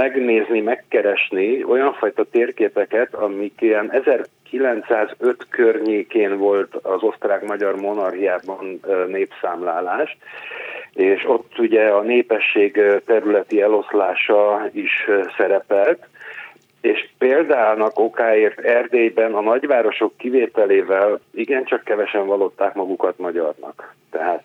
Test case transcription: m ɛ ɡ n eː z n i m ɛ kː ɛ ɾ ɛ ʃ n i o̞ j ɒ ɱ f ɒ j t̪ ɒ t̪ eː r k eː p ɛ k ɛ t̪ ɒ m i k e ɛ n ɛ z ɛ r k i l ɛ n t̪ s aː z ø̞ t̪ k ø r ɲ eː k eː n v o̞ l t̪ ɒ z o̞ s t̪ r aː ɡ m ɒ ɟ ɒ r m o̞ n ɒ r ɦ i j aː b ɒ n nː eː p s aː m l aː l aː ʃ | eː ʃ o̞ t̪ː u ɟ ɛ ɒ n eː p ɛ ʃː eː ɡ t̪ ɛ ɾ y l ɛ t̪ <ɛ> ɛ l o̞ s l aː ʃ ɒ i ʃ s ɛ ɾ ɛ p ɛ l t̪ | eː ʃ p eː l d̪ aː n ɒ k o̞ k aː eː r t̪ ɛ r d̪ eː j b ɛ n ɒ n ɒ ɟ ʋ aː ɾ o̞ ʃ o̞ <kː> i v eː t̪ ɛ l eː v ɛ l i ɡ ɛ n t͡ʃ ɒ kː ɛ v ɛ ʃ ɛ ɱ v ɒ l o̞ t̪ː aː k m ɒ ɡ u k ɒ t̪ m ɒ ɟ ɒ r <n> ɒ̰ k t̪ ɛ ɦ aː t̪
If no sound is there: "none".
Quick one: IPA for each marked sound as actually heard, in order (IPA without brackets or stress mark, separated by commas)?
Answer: i, kː, n